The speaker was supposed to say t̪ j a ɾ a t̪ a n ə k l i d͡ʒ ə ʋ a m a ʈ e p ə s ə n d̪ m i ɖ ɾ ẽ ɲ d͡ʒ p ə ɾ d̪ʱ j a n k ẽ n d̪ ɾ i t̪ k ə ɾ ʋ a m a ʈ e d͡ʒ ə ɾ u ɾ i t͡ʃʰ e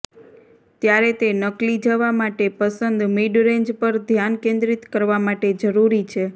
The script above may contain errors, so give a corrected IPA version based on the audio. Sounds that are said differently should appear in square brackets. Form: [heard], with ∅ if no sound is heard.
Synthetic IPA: t̪ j a ɾ [e] t̪ [e] n ə k l i d͡ʒ ə ʋ a m a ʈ e p ə s ə n d̪ m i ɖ ɾ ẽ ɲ d͡ʒ p ə ɾ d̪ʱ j a n k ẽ n d̪ ɾ i t̪ k ə ɾ ʋ a m a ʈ e d͡ʒ ə ɾ u ɾ i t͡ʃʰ e